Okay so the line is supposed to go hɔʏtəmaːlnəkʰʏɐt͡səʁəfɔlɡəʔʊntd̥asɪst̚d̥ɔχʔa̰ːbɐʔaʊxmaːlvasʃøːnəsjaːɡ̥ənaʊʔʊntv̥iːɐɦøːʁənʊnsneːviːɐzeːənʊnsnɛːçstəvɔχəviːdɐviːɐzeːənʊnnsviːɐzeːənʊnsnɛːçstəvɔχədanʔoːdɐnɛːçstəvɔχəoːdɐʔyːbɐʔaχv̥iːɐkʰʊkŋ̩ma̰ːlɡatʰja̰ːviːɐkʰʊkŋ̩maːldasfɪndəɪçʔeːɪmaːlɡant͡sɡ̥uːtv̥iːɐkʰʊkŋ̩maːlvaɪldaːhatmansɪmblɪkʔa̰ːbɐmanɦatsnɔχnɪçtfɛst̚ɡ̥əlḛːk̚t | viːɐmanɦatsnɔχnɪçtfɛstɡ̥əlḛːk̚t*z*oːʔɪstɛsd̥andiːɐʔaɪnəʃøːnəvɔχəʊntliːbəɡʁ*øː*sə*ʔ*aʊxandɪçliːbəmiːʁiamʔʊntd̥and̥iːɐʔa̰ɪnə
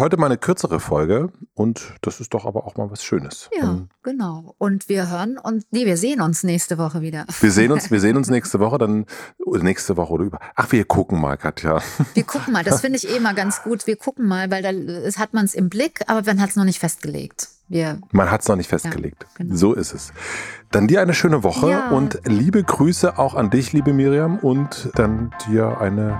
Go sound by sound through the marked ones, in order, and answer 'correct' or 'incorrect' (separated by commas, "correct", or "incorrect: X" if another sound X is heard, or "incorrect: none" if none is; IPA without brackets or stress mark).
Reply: correct, incorrect: yː, correct